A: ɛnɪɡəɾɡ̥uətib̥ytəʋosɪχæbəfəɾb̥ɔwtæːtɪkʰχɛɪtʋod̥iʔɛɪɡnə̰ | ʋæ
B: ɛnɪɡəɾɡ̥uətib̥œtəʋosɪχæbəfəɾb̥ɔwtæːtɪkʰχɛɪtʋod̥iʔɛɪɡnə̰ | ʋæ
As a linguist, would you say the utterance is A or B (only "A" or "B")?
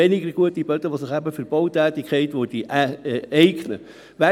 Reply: B